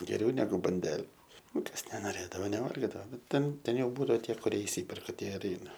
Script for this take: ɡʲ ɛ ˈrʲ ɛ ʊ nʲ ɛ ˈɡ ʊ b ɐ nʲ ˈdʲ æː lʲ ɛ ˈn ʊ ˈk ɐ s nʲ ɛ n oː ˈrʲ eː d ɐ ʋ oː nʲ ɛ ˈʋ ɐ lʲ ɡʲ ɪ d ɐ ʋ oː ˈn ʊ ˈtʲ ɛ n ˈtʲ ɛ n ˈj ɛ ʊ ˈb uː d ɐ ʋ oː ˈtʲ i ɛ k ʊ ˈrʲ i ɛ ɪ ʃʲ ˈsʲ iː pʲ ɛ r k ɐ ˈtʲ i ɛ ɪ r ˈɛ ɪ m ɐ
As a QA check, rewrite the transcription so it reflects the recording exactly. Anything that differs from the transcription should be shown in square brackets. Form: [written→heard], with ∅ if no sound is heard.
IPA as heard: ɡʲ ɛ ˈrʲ ɛ ʊ nʲ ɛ ˈɡ ʊ b ɐ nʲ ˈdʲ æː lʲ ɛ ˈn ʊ ˈk ɐ s nʲ ɛ n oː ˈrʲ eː d ɐ ʋ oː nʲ ɛ ˈʋ ɐ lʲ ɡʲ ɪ d ɐ ʋ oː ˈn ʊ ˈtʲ ɛ n ˈtʲ ɛ n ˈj ɛ ʊ ˈb uː d ɐ ʋ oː ˈtʲ i ɛ k ʊ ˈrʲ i ɛ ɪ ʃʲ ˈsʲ iː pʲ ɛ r k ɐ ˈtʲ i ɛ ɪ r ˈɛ ɪ [m→n] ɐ